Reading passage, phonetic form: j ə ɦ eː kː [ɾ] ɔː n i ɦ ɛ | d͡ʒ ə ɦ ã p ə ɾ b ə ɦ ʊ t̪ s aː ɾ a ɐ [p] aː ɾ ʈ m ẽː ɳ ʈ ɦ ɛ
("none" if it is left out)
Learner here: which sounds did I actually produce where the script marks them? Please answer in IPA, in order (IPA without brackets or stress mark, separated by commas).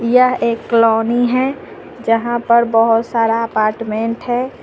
l, p